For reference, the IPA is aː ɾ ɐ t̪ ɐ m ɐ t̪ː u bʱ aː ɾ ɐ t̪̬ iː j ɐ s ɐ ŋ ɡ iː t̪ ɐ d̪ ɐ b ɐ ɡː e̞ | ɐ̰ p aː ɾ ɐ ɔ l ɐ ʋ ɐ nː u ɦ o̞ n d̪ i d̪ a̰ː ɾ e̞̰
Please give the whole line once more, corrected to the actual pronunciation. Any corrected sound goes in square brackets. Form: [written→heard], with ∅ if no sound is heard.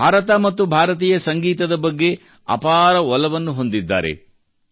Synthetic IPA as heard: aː ɾ ɐ t̪ ɐ m ɐ t̪ː u bʱ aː ɾ ɐ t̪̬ iː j ɐ s ɐ ŋ ɡ iː t̪ ɐ d̪ ɐ b ɐ ɡː e̞ | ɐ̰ p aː ɾ ɐ ɔ l ɐ ʋ ɐ nː u ɦ o̞ n d̪ i [d̪→d̪ː] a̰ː ɾ e̞̰

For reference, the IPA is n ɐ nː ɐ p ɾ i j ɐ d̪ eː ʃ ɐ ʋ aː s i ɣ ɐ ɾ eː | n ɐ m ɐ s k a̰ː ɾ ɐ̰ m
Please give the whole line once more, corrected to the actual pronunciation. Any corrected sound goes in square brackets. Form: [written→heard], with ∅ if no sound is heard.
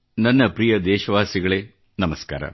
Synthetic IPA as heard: n ɐ nː ɐ p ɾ i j ɐ d̪ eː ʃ ɐ ʋ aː s i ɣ ɐ [ɾ→ɭ] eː | n ɐ m ɐ s k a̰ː ɾ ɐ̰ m

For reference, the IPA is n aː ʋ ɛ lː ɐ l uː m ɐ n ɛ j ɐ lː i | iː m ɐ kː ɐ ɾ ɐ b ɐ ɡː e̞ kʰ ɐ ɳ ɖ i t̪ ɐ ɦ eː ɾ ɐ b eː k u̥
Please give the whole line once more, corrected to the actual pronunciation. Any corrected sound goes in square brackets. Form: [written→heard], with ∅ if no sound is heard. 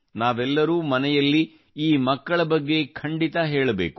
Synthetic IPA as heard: n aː ʋ ɛ lː ɐ [l→ɾ] uː m ɐ n ɛ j ɐ lː i | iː m ɐ kː ɐ [ɾ→ɭ] ɐ b ɐ ɡː e̞ kʰ ɐ ɳ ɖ i t̪ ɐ ɦ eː [ɾ→ɭ] ɐ b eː k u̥

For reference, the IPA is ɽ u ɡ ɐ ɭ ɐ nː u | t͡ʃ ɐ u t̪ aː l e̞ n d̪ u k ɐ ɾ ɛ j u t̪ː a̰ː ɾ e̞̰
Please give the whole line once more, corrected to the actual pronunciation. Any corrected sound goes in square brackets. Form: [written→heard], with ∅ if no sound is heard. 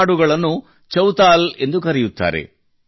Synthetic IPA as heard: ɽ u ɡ ɐ ɭ ɐ nː u | t͡ʃ ɐ [u→w] t̪ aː l e̞ n d̪ u k ɐ ɾ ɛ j u t̪ː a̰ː ɾ e̞̰

